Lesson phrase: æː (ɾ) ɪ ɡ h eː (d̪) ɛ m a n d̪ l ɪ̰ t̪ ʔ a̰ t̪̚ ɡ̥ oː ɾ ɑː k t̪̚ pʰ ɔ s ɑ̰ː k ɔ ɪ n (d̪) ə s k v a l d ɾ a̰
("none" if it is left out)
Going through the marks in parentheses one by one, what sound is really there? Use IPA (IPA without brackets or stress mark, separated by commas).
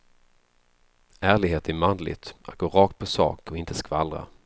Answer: ɭ, t̪, t̪